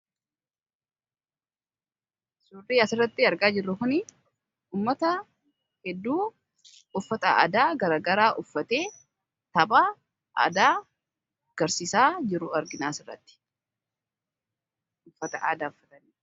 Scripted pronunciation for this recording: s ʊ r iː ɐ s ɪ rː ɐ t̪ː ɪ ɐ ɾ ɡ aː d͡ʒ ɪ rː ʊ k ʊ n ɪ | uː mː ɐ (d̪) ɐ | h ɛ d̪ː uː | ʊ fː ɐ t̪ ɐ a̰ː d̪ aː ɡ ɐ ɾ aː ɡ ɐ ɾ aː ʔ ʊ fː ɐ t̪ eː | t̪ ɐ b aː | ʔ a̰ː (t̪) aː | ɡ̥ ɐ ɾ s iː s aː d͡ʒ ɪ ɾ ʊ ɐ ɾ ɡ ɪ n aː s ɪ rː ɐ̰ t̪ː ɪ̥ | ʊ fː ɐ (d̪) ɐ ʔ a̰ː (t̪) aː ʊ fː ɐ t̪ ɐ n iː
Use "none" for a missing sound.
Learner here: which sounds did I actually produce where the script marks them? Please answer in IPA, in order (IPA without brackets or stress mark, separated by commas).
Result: t̪, d̪, t̪, d̪